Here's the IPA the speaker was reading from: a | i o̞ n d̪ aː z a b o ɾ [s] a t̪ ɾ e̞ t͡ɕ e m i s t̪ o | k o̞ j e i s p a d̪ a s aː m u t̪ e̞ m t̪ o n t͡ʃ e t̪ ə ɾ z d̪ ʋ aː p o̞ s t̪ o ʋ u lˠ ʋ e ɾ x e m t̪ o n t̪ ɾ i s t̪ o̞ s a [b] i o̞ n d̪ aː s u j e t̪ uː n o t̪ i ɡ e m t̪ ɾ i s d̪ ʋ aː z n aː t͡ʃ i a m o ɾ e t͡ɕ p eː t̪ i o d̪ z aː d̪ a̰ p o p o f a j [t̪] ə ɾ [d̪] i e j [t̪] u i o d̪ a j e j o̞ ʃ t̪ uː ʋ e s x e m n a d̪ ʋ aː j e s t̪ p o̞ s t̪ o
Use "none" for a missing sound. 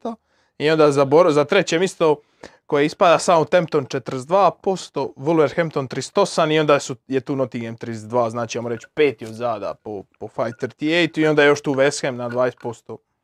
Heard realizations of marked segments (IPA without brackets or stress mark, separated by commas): z, m, t̪, t̪, t̪